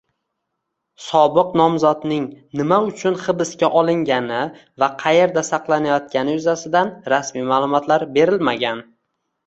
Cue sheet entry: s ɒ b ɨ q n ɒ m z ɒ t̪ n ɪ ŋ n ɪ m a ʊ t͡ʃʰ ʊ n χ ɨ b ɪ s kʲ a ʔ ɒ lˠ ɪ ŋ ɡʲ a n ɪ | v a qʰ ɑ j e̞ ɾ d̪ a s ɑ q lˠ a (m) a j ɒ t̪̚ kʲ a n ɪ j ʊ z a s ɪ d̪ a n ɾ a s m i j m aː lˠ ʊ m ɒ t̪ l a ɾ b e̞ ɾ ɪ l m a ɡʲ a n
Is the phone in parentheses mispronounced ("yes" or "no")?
yes